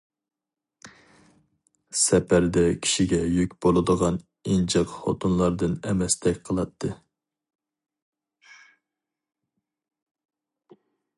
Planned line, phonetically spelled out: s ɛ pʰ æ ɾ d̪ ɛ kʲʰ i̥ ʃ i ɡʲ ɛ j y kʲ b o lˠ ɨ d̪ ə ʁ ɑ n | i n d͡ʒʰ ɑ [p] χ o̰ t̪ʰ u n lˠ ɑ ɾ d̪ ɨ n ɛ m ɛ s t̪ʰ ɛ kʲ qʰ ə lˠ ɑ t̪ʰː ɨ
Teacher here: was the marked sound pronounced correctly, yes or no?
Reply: no